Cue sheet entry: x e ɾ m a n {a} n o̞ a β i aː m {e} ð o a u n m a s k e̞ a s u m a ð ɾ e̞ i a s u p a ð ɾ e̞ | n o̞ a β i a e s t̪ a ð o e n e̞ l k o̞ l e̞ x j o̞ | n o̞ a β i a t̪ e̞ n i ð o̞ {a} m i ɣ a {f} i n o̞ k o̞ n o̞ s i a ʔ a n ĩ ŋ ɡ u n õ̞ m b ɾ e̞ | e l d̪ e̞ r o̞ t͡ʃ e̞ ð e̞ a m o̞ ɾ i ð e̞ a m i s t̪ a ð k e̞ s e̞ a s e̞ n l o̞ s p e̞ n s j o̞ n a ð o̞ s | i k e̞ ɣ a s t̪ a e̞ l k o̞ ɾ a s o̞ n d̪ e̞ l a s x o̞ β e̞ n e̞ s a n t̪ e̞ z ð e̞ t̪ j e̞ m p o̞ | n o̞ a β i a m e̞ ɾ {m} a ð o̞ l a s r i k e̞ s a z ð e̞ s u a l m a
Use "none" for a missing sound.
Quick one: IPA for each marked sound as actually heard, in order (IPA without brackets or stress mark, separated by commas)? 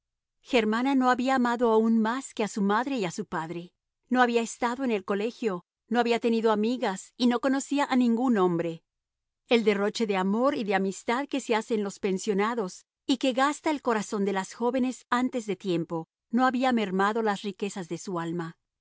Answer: a, a, a, s, m